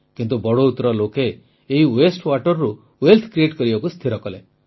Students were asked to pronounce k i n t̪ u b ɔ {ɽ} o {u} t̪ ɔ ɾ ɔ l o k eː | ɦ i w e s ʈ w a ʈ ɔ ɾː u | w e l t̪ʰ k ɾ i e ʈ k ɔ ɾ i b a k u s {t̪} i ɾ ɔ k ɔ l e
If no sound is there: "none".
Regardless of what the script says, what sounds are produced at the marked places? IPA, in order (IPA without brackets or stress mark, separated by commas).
ɽ, u, t̪ʰ